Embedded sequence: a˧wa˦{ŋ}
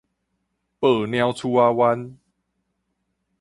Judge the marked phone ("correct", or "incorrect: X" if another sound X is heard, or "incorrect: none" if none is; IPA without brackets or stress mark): incorrect: n